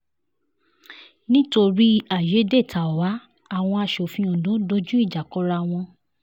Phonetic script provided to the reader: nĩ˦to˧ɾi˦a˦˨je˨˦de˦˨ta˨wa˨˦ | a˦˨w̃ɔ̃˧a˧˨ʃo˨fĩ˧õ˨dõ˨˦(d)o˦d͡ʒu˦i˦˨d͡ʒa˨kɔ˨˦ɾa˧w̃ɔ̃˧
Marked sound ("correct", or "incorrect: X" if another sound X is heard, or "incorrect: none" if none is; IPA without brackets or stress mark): correct